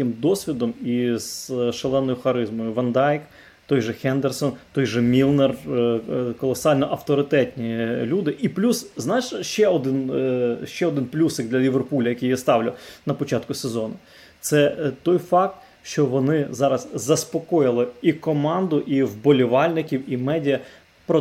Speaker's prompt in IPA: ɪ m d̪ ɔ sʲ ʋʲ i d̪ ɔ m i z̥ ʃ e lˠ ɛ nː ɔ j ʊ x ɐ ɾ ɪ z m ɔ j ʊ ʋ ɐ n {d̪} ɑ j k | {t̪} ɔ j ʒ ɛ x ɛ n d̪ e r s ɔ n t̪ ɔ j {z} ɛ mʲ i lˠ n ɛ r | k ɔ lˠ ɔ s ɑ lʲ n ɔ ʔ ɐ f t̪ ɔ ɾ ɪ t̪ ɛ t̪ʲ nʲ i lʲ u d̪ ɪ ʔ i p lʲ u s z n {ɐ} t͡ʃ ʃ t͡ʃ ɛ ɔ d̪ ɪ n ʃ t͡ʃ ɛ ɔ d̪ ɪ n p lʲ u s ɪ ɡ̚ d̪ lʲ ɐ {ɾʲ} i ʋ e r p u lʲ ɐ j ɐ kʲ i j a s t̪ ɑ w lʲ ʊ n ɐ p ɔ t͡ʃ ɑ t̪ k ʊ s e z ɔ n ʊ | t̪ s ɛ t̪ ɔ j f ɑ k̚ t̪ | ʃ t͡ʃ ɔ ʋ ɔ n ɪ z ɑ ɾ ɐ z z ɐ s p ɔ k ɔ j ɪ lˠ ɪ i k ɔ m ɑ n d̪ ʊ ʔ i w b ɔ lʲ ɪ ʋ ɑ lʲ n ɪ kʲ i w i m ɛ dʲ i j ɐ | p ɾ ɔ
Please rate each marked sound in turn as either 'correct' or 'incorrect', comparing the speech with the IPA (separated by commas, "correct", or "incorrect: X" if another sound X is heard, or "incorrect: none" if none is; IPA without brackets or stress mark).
correct, correct, incorrect: ʒ, incorrect: ɑ, incorrect: lʲ